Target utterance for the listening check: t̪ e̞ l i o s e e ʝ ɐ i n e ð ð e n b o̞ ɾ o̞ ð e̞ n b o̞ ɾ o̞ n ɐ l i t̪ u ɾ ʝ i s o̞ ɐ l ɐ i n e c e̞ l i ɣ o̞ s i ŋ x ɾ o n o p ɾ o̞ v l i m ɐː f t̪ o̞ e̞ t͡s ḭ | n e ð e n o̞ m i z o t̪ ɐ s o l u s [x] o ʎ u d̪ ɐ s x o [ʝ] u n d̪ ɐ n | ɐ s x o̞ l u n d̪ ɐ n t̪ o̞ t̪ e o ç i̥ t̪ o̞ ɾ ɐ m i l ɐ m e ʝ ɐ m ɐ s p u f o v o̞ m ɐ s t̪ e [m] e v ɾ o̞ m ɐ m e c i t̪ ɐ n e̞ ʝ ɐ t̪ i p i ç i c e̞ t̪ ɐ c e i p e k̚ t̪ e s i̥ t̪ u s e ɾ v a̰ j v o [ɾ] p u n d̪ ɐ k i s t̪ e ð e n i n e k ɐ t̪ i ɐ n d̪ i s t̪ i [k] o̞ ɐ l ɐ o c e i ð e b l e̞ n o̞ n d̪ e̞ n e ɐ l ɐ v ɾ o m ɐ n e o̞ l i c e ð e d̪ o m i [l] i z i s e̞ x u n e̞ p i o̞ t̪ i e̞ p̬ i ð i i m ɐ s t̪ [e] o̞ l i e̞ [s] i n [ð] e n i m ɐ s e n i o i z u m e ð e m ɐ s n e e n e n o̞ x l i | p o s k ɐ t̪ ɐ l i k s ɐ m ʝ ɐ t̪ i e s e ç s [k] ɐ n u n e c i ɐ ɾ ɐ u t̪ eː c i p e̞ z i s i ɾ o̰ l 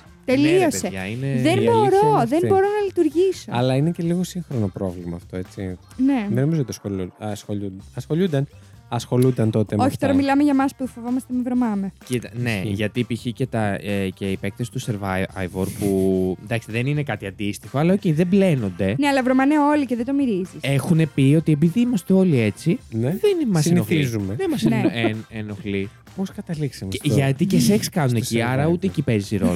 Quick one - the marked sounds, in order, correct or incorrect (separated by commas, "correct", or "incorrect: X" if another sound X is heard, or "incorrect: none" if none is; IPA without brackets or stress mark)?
correct, incorrect: ʎ, correct, correct, incorrect: x, incorrect: ɾ, correct, incorrect: t͡s, correct, correct